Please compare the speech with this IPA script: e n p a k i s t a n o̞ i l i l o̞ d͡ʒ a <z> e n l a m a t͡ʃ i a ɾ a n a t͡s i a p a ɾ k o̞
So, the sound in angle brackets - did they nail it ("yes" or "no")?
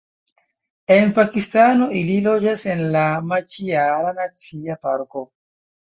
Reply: no